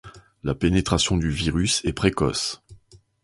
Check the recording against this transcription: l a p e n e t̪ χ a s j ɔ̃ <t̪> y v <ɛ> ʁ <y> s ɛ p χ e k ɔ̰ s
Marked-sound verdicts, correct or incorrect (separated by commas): incorrect, incorrect, correct